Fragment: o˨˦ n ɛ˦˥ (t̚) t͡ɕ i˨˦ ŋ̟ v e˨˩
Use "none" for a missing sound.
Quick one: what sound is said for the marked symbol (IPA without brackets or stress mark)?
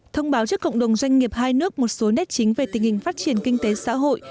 t̚